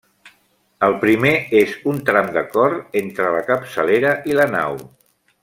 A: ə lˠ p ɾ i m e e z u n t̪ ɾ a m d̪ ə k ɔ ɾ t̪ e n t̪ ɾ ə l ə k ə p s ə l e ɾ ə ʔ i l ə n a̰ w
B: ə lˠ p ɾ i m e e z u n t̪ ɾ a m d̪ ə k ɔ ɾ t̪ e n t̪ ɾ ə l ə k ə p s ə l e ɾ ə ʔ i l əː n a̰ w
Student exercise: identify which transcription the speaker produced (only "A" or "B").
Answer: A